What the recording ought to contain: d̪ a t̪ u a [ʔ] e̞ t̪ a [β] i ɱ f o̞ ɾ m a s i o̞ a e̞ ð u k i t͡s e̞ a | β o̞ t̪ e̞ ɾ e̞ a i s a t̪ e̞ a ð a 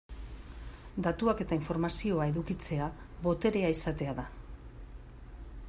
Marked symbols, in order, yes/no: no, no

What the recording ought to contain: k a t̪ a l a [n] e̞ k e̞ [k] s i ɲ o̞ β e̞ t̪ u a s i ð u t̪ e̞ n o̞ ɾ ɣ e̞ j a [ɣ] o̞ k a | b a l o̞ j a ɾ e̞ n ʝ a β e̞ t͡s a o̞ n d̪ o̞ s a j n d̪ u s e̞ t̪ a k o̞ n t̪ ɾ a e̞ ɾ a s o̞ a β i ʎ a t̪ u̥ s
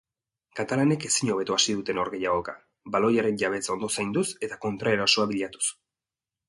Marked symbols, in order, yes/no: yes, no, yes

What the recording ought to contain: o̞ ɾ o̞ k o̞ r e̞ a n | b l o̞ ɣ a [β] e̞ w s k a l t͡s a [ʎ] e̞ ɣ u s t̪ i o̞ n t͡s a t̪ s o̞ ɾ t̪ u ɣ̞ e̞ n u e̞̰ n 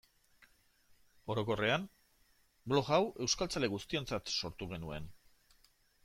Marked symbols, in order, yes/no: no, no

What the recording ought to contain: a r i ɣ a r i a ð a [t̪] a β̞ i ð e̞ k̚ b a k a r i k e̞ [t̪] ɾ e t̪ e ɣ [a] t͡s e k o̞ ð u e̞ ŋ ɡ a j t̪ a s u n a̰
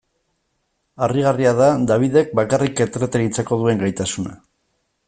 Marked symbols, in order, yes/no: no, yes, no

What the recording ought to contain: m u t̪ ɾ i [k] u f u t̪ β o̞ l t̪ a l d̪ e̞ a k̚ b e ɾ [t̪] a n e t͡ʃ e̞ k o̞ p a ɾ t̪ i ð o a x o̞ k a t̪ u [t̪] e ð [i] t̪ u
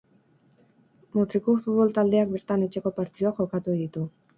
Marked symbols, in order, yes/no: yes, yes, no, yes

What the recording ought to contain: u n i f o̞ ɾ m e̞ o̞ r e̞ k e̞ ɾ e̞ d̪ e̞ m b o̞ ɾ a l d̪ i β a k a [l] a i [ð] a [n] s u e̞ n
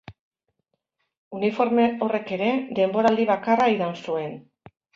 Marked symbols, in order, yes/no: no, yes, yes

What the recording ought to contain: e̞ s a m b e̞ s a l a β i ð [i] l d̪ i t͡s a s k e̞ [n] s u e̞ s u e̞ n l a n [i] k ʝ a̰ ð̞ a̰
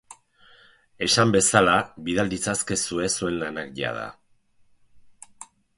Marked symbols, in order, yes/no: no, no, no

